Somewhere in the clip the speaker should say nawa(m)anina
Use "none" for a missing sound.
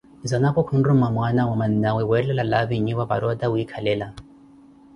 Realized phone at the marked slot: m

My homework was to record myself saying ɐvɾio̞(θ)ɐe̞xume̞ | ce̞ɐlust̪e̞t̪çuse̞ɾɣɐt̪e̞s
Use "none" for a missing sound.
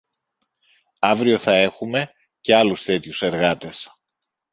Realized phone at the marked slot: θ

